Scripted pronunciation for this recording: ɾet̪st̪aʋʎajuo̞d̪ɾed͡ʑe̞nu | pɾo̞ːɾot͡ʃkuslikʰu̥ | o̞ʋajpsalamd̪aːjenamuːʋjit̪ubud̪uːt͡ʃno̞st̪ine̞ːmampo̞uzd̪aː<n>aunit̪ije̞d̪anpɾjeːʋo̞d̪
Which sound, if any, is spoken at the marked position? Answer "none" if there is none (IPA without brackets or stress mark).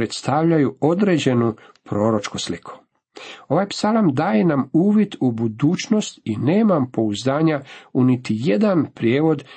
ɲ